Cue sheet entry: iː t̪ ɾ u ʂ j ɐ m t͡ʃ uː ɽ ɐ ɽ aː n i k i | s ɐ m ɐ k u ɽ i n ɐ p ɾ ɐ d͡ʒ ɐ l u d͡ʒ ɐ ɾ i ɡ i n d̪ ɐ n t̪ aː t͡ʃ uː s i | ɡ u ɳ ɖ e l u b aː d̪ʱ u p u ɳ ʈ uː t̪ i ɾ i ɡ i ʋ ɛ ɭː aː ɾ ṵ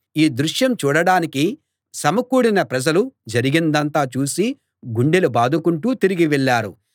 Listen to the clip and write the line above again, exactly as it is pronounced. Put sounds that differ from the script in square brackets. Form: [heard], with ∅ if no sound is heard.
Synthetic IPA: iː [d̪] ɾ u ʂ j ɐ m t͡ʃ uː ɽ ɐ ɽ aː n i k i | s ɐ m ɐ k [uː] ɽ i n ɐ p ɾ ɐ d͡ʒ ɐ l u d͡ʒ ɐ ɾ i ɡ i n d̪ ɐ n t̪ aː t͡ʃ uː s i | ɡ u ɳ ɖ e l u b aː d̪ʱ u [k] u ɳ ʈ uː t̪ i ɾ i ɡ i ʋ ɛ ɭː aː ɾ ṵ

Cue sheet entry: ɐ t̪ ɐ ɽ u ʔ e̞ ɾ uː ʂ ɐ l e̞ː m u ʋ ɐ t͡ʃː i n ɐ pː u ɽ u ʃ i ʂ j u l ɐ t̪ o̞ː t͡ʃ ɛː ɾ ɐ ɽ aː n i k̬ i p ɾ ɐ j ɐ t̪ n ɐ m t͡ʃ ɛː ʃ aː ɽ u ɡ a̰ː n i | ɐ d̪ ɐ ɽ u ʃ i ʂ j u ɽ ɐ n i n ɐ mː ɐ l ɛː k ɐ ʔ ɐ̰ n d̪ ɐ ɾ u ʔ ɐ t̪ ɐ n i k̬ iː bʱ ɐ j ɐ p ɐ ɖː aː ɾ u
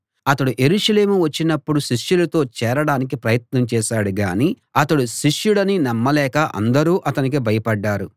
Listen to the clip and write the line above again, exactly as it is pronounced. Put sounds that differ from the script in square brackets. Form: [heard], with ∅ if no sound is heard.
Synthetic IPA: ɐ t̪ ɐ ɽ u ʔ e̞ ɾ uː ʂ ɐ l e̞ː m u ʋ ɐ t͡ʃː i n ɐ pː u ɽ u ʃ i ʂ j u l ɐ t̪ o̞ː t͡ʃ ɛː ɾ ɐ ɽ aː n i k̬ i p ɾ ɐ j ɐ t̪ n ɐ m t͡ʃ ɛː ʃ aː ɽ u ɡ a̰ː n i | ɐ [t̪] ɐ ɽ u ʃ i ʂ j u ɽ ɐ n i n ɐ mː ɐ l ɛː k ɐ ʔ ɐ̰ n d̪ ɐ ɾ [uː] ʔ ɐ t̪ ɐ n i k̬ [i] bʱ ɐ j ɐ p ɐ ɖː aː ɾ u

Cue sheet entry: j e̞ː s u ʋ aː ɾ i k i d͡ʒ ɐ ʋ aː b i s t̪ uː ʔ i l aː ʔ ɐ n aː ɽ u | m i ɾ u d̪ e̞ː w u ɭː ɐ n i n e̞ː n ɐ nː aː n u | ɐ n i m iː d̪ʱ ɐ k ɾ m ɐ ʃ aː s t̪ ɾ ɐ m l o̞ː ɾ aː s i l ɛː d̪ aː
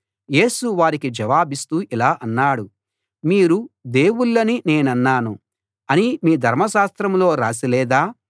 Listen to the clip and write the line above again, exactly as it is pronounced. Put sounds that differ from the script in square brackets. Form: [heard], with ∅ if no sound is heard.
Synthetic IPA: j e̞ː s u ʋ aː ɾ i k i d͡ʒ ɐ ʋ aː b i s t̪ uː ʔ i l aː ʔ ɐ [nː] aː ɽ u | m [iː] ɾ u d̪ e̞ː w u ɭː ɐ n i n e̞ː n ɐ nː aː n u | ɐ n i m iː d̪ʱ ɐ [∅] ɾ m ɐ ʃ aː s t̪ ɾ ɐ m l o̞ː ɾ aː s i l ɛː d̪ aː

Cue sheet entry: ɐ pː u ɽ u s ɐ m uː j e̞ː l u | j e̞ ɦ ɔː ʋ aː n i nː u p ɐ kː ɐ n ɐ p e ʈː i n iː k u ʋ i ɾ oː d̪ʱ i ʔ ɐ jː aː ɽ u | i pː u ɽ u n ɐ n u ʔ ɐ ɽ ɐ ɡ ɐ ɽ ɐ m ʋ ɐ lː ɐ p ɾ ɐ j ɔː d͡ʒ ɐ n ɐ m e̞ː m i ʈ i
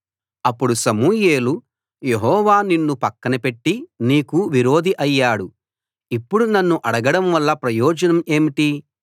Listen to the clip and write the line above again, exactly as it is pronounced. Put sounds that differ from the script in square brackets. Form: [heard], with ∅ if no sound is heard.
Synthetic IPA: ɐ pː u ɽ u s ɐ m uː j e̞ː l u | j e̞ ɦ ɔː ʋ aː n i nː u p ɐ kː ɐ n ɐ p e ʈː i n iː k u ʋ i ɾ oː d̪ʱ i ʔ ɐ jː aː ɽ u | i pː u ɽ u n ɐ [nː] u ʔ ɐ ɽ ɐ ɡ ɐ ɽ ɐ m ʋ ɐ lː ɐ p ɾ ɐ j ɔː d͡ʒ ɐ n ɐ m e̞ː m i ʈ i

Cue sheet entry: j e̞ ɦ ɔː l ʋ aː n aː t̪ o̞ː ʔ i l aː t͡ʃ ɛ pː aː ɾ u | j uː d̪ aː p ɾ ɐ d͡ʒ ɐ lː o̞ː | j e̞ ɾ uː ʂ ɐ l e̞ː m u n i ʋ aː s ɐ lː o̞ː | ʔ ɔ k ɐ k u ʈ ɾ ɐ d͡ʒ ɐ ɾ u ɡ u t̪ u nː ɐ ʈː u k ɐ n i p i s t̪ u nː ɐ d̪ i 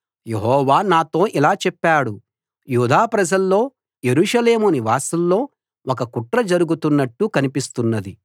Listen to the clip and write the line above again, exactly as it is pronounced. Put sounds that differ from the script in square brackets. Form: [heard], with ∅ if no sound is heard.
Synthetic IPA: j e̞ ɦ ɔː [∅] ʋ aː n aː t̪ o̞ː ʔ i l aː t͡ʃ ɛ pː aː [ɽ] u | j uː d̪ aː p ɾ ɐ d͡ʒ ɐ lː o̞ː | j e̞ ɾ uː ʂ ɐ l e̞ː m u n i ʋ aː s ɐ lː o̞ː | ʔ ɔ k ɐ k u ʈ ɾ ɐ d͡ʒ ɐ ɾ u ɡ u t̪ u nː ɐ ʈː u k ɐ n i p i s t̪ u nː ɐ d̪ i

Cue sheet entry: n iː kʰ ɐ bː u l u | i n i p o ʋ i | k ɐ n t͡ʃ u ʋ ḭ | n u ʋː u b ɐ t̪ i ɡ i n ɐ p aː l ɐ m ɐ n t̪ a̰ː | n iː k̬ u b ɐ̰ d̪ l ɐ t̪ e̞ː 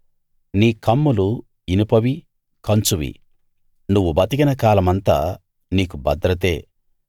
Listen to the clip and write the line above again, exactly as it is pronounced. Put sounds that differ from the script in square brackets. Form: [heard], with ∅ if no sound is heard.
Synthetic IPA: n iː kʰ ɐ [mː] u l u | i n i p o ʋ i | k ɐ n t͡ʃ u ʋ ḭ | n u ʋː u b ɐ t̪ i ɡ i n ɐ [k] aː l ɐ m ɐ n t̪ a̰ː | n iː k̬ u b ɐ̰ d̪ [ɾ] ɐ t̪ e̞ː

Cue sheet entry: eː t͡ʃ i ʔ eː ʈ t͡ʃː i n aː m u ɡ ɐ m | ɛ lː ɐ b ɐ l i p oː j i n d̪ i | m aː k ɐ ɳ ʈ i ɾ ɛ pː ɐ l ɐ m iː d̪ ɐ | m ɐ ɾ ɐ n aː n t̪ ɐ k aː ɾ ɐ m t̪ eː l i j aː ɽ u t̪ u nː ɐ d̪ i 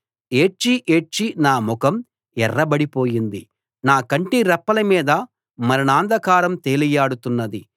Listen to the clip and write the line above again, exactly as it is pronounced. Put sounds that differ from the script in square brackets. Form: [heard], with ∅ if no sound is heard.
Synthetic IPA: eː t͡ʃ i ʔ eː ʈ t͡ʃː i n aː m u [k] ɐ m | ɛ [rː] ɐ b ɐ [ɽ] i p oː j i n d̪ i | [n] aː k ɐ ɳ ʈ i ɾ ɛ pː ɐ l ɐ m iː d̪ ɐ | m ɐ ɾ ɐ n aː n [d̪] ɐ k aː ɾ ɐ m t̪ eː l i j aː ɽ u t̪ u nː ɐ d̪ i

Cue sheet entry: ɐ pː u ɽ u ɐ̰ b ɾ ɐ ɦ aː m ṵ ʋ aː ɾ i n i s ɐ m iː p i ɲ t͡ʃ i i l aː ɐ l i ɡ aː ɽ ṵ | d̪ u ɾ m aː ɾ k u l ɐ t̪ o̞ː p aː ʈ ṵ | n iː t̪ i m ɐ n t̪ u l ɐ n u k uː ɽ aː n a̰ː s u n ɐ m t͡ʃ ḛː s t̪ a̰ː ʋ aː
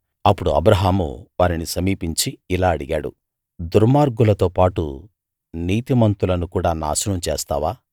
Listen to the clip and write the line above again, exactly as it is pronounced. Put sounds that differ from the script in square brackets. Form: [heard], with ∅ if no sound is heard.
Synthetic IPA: ɐ pː u ɽ u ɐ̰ b ɾ ɐ ɦ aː m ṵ ʋ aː ɾ i n i s ɐ m iː p i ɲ t͡ʃ i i l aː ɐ [ɽ] i ɡ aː ɽ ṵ | d̪ u ɾ m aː ɾ [ɡ] u l ɐ t̪ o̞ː p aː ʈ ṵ | n iː t̪ i m ɐ n t̪ u l ɐ n u k uː ɽ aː n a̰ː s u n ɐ m t͡ʃ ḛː s t̪ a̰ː ʋ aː

